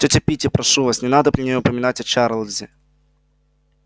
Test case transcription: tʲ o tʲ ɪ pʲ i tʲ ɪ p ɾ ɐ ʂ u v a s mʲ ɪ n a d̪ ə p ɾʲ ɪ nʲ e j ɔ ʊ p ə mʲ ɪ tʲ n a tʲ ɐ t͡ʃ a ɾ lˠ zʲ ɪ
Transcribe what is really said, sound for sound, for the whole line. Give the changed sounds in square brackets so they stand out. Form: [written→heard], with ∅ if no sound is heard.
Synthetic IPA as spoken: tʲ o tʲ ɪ pʲ i tʲ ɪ p ɾ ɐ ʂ u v a s [mʲ→nʲ] ɪ n a d̪ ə p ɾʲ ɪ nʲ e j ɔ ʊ p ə mʲ ɪ [tʲ→∅] n a tʲ ɐ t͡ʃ a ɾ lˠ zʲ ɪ